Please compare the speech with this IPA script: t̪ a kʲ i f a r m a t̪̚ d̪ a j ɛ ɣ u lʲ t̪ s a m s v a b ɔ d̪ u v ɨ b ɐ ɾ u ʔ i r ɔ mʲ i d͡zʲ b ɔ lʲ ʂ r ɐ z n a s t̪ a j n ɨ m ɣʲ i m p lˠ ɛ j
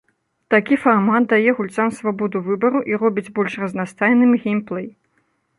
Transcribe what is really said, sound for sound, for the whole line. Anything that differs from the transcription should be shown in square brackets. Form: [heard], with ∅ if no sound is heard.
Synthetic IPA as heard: t̪ a kʲ i f a r m a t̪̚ d̪ a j ɛ ɣ u lʲ t̪ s a m s v a b ɔ d̪ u v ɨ b ɐ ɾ u ʔ i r ɔ [bʲ] i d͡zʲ b ɔ lʲ ʂ r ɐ z n a s t̪ a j n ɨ m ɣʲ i m p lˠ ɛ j